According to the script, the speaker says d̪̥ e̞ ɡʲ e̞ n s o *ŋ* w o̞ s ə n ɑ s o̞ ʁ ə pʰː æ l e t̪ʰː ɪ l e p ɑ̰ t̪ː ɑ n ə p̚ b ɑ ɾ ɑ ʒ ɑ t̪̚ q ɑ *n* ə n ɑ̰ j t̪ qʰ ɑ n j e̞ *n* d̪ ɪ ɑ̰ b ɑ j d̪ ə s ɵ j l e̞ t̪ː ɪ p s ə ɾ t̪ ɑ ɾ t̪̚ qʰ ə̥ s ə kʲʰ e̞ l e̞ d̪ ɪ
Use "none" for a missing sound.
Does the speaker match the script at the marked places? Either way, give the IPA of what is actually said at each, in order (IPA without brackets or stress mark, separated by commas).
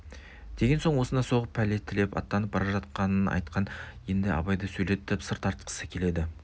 ɴ, n, n